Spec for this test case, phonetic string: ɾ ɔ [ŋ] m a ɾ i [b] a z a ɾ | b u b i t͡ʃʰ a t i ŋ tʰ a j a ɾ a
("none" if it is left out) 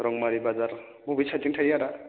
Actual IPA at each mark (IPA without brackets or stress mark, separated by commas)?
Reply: ŋ, b